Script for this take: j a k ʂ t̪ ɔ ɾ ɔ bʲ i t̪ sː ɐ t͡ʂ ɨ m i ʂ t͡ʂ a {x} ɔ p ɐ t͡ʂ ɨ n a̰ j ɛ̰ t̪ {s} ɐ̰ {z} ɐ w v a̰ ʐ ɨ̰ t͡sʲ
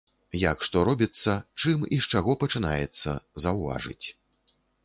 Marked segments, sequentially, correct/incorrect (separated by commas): incorrect, incorrect, correct